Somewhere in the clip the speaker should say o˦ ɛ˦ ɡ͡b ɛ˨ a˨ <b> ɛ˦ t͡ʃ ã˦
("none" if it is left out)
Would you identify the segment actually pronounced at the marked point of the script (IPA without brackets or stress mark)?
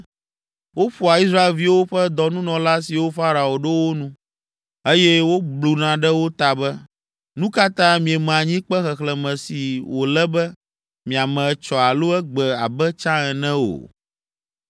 b